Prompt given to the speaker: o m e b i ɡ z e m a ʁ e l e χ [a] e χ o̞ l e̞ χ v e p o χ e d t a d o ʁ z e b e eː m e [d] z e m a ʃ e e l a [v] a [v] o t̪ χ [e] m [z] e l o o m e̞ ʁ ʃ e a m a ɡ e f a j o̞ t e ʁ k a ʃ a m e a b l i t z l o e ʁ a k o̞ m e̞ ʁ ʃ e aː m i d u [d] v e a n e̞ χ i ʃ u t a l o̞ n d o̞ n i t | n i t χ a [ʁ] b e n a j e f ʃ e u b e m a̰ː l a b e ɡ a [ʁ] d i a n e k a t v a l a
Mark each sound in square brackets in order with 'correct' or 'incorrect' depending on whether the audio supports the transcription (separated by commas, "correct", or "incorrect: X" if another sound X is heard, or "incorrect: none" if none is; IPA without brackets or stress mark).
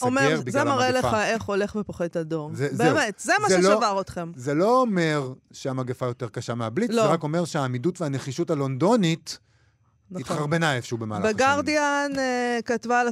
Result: correct, incorrect: t, correct, incorrect: ʁ, correct, correct, incorrect: t, correct, correct